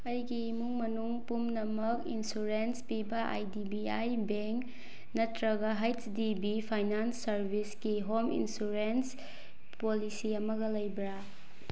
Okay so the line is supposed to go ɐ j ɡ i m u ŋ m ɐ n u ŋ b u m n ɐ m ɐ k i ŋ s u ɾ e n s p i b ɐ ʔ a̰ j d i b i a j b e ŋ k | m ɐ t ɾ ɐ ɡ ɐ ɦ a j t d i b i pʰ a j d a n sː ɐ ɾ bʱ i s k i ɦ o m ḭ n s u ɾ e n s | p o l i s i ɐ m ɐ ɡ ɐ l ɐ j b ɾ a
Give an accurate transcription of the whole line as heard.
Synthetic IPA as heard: ɐ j ɡ i m u ŋ m ɐ n u ŋ p u m n ɐ m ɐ k i n s u ɾ e n s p i b ɐ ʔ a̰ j d i b i a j b e ŋ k | n ɐ t ɾ ɐ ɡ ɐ ɦ a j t d i b i pʰ a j n a n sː ɐ ɾ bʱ i s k i ɦ o m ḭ n s u ɾ e n s | p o l i s i ɐ m ɐ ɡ ɐ l ɐ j b ɾ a